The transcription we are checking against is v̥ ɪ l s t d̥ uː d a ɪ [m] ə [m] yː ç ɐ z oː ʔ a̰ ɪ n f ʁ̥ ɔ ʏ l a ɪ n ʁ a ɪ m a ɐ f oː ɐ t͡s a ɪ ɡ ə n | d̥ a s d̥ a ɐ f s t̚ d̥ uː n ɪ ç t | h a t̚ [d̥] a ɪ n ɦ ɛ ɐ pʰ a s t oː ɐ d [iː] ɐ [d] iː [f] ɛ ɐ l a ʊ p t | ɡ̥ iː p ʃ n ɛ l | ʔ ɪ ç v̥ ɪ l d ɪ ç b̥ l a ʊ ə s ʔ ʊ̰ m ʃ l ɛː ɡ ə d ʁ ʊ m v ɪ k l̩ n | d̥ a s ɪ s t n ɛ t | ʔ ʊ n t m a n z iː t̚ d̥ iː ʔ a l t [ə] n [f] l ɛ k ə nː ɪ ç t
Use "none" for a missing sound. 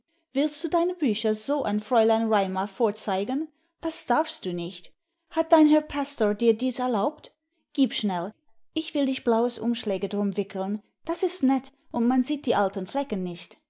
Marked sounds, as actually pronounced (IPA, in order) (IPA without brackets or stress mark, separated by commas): n, b, d̥, iː, d, s, ə, f